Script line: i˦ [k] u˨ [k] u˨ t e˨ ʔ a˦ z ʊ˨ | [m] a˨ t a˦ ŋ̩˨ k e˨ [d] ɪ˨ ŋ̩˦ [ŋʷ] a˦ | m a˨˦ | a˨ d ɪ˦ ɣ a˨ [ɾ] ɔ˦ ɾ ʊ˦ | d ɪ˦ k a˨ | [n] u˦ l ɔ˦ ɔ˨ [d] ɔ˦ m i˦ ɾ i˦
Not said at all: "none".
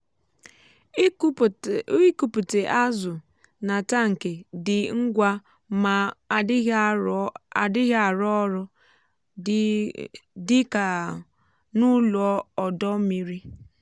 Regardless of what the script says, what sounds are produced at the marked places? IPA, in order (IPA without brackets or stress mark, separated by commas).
k, p, n, d, ɡʷ, ɾ, n, d